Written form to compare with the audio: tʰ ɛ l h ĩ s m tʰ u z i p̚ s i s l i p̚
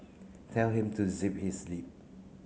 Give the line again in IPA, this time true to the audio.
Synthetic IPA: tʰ ɛ l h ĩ m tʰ u z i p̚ h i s l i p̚

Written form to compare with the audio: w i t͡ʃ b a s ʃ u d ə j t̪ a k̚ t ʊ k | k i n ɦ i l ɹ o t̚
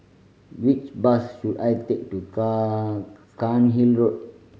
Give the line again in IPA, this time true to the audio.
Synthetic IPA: w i t͡ʃ b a s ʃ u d a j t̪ e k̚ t u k | k a n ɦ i l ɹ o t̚

